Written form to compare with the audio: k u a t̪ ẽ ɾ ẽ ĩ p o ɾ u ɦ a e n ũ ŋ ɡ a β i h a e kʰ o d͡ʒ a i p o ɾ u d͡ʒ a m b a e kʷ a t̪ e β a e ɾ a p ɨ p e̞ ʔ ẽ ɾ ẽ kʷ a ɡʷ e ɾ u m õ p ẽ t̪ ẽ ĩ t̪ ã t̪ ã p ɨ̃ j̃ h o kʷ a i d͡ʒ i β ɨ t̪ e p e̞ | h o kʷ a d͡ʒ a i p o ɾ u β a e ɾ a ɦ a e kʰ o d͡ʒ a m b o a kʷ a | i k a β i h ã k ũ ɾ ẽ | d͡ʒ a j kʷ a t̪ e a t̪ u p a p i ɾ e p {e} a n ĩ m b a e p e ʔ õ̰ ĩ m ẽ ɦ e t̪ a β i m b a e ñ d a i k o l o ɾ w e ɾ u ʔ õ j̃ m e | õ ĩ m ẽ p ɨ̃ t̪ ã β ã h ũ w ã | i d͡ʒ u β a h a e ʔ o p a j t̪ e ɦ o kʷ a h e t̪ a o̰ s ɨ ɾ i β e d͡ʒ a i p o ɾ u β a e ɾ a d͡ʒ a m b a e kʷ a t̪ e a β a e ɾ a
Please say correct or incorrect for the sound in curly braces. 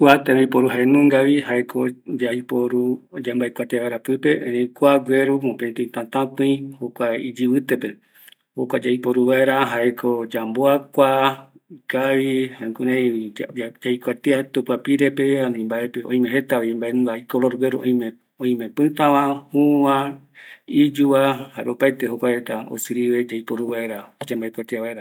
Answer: correct